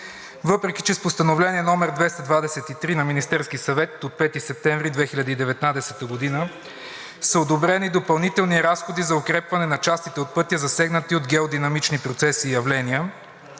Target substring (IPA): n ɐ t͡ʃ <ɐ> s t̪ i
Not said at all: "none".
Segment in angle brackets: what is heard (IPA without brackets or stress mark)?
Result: a